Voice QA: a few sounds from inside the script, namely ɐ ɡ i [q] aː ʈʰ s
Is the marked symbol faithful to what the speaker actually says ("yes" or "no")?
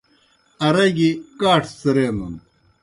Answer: no